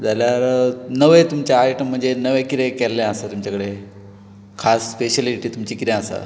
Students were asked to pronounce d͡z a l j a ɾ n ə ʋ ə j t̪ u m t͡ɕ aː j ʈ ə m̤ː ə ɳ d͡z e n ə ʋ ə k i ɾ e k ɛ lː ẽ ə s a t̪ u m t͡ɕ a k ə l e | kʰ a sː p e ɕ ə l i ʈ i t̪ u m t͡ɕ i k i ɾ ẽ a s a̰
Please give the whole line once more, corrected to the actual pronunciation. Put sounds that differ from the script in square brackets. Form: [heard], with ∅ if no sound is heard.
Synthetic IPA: d͡z a l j a ɾ n ə ʋ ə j t̪ u m t͡ɕ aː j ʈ ə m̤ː ə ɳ d͡z e n ə ʋ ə k i ɾ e k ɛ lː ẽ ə s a t̪ u m t͡ɕ a k ə [ɽ] e | kʰ a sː p e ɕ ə l i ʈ i t̪ u m t͡ɕ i k i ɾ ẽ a s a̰